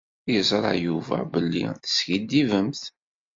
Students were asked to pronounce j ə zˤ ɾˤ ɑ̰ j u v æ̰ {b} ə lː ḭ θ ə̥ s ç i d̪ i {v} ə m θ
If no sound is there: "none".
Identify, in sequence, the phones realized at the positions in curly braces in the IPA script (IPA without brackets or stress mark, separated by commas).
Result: b, v